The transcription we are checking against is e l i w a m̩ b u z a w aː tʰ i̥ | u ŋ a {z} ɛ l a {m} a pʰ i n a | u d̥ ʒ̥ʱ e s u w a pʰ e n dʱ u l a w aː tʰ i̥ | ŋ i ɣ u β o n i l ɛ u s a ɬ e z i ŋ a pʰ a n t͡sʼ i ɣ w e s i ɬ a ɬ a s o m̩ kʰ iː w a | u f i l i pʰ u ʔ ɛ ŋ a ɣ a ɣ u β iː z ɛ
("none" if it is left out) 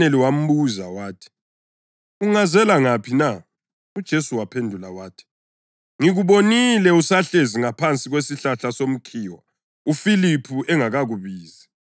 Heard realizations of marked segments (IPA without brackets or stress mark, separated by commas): z, ŋ